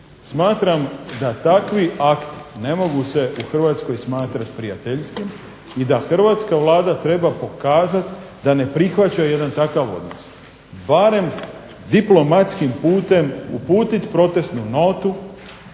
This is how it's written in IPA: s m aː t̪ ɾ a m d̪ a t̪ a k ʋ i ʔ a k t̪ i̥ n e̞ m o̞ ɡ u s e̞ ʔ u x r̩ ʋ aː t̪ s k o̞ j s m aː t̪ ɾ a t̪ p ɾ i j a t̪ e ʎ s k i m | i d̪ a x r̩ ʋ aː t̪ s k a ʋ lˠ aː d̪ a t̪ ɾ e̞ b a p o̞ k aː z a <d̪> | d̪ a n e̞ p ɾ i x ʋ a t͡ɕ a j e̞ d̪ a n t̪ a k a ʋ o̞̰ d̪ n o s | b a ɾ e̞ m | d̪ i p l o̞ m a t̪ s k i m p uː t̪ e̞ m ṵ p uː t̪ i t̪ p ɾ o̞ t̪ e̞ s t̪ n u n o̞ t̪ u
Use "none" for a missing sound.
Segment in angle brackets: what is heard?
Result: t̪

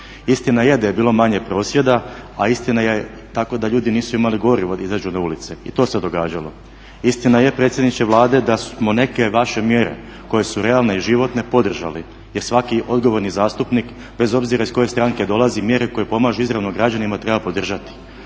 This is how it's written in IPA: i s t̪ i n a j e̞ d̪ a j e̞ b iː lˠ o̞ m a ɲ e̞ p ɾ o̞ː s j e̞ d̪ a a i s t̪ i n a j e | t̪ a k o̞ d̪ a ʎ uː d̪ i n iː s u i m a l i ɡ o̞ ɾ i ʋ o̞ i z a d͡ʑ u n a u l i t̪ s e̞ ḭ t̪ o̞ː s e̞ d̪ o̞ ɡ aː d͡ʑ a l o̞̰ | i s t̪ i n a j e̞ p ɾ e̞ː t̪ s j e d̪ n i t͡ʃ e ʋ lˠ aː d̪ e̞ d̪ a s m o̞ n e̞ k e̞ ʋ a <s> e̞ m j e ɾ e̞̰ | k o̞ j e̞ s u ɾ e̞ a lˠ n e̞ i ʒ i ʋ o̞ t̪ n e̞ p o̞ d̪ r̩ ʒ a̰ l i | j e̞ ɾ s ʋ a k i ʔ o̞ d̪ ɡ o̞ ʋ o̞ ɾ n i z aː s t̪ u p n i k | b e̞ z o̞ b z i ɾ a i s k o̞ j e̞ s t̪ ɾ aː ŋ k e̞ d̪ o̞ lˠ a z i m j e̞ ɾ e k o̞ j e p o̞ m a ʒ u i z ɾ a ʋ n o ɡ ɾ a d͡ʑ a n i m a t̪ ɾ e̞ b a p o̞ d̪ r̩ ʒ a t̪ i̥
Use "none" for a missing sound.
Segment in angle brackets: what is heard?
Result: ʃ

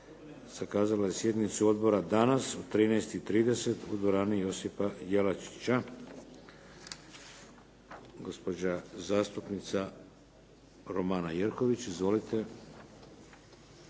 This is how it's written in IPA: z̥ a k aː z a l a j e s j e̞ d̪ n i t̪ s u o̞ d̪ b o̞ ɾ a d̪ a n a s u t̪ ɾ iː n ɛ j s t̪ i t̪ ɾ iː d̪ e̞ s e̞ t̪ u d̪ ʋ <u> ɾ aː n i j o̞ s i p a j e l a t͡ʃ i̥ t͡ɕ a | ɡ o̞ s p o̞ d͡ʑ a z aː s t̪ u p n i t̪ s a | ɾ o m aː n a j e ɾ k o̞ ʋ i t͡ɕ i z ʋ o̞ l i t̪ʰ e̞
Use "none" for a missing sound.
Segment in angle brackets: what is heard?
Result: o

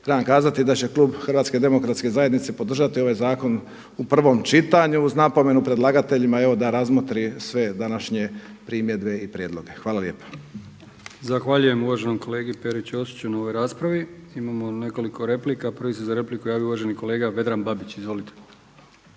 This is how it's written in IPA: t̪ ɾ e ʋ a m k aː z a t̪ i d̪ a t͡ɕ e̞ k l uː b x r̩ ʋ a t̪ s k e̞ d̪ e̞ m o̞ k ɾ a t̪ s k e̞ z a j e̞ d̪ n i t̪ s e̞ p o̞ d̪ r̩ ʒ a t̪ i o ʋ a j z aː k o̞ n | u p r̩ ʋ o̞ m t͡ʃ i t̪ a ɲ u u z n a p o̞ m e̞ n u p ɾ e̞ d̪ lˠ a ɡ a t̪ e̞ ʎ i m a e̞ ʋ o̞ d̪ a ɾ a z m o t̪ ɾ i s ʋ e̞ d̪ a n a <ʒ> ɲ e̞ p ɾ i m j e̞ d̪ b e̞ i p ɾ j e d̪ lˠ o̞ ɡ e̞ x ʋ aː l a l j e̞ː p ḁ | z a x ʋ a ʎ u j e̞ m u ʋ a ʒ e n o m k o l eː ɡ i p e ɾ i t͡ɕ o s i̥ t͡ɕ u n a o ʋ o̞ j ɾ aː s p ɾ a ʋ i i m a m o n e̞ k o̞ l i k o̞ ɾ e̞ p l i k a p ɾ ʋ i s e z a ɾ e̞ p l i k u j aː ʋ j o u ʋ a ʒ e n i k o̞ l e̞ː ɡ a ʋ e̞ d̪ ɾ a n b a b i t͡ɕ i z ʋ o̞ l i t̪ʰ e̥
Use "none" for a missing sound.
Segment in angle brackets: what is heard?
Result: ʃ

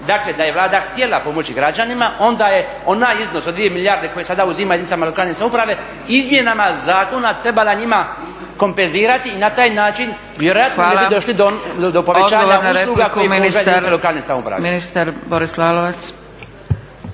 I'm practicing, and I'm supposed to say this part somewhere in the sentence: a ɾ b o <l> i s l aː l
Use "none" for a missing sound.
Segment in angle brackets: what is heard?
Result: ɾ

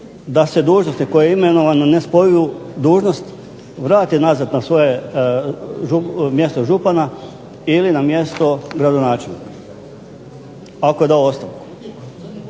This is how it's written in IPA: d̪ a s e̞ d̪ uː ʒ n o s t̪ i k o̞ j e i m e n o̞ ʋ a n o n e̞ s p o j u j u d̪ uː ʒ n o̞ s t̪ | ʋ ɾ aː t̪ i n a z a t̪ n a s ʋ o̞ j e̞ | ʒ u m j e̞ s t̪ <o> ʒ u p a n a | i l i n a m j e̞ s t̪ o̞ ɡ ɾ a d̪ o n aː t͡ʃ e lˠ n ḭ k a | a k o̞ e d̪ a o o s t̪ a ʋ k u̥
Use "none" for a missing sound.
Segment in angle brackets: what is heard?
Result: o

